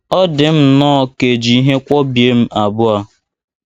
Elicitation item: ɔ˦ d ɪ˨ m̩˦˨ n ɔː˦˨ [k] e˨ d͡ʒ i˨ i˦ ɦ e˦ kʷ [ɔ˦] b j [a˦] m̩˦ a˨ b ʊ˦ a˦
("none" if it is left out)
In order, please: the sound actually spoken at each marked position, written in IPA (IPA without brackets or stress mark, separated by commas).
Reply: k, ɔ˦, e˦